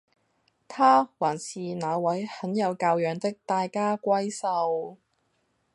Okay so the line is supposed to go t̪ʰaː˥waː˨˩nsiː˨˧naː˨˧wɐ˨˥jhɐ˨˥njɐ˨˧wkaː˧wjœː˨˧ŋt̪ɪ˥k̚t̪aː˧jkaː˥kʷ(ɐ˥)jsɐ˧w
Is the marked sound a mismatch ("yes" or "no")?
no